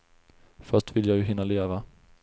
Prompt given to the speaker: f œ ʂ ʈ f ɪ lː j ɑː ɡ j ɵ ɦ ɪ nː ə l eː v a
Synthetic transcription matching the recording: f œ ʂ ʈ v ɪ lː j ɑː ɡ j ɵ ɦ ɪ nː a l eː v a